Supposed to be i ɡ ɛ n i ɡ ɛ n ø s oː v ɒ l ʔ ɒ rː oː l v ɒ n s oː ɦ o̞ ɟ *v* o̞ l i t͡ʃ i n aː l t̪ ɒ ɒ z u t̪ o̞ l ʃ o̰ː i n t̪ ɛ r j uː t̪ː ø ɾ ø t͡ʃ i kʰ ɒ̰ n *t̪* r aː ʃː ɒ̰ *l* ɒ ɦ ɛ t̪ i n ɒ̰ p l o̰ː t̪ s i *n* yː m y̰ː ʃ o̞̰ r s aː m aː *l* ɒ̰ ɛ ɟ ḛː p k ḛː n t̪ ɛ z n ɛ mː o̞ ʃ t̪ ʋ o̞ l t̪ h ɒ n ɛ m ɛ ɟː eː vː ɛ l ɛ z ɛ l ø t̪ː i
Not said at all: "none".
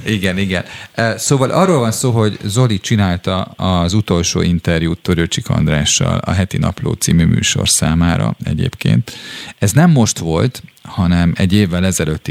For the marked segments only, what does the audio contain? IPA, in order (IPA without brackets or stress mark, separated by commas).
z, d̪, l, m, ɾ